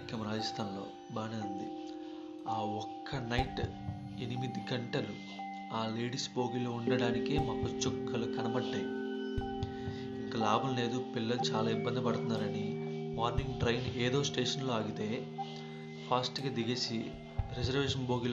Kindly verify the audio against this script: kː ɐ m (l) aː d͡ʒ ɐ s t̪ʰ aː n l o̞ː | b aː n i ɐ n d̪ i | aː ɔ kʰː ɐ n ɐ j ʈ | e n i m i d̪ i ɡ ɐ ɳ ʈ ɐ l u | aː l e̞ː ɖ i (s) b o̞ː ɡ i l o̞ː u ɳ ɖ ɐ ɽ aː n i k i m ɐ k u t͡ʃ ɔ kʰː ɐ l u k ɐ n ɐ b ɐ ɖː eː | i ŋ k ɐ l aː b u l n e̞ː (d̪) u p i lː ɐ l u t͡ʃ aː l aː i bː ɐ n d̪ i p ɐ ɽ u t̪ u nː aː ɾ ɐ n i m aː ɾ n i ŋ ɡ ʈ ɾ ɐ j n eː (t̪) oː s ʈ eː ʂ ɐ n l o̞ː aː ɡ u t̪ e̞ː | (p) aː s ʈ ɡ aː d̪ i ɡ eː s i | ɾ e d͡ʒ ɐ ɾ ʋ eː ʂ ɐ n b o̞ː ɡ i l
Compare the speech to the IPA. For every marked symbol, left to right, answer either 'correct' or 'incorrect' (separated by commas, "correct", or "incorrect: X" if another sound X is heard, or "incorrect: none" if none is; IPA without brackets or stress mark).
incorrect: ɾ, correct, correct, incorrect: d̪, incorrect: pʰ